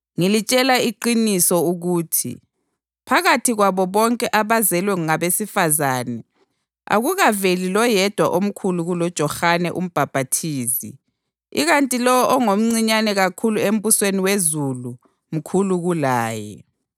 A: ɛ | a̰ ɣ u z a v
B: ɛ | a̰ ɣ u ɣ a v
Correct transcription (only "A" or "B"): B